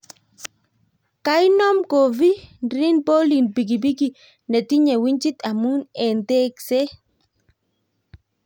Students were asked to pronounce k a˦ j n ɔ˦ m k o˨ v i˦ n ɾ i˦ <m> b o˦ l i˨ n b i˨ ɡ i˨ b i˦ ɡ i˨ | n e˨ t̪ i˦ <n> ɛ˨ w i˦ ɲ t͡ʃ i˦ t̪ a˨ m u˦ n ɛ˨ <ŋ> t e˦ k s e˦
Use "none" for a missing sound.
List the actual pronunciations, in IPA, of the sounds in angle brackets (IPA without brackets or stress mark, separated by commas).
n, ɲ, n